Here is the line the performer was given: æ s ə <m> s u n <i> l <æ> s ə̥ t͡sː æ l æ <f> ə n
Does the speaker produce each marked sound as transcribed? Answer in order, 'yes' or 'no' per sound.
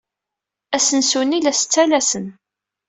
no, yes, yes, no

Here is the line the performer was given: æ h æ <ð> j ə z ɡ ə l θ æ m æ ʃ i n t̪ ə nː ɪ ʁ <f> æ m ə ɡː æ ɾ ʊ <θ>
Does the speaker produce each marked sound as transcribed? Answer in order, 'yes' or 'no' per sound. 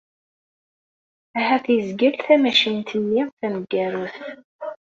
no, no, yes

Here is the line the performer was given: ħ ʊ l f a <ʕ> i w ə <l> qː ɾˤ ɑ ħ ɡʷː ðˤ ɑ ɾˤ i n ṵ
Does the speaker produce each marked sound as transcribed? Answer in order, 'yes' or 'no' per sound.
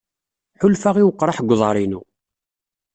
no, no

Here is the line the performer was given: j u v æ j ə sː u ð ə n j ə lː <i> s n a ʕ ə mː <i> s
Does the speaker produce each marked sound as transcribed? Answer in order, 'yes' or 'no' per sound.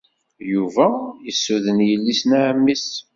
yes, yes

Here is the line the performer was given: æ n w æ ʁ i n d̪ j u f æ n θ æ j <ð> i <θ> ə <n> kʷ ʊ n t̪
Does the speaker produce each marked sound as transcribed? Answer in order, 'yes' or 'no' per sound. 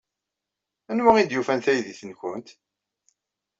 yes, yes, yes

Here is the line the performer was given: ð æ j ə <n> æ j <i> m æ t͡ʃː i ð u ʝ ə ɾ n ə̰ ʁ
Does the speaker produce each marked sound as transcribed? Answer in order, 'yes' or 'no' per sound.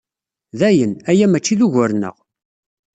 yes, no

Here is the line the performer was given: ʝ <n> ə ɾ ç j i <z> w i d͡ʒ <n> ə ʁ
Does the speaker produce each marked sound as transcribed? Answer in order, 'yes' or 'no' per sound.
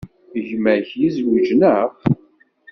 no, yes, yes

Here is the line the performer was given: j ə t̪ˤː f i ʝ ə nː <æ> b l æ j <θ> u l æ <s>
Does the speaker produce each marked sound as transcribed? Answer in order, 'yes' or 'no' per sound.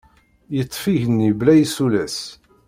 no, no, yes

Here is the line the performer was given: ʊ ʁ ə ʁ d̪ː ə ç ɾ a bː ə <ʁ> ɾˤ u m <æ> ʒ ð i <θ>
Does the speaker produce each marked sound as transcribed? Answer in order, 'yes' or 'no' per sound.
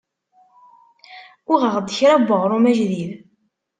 yes, yes, no

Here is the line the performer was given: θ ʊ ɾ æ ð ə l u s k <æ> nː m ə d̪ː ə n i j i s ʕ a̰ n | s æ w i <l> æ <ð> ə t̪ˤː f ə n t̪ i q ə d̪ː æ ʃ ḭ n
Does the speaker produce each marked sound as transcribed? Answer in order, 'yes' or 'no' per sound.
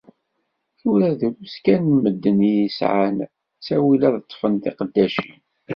yes, yes, yes

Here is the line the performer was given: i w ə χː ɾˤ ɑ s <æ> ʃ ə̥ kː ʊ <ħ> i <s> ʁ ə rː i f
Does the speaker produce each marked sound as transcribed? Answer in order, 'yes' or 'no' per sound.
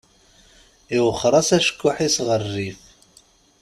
yes, yes, yes

